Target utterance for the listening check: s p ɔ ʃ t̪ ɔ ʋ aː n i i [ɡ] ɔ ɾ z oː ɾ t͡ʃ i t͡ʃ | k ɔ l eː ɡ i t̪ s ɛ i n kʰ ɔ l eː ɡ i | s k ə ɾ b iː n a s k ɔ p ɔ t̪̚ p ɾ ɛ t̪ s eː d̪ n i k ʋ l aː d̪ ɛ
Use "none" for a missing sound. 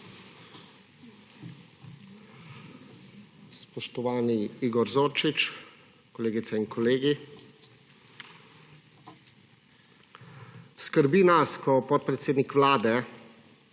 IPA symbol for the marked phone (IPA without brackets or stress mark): ɡ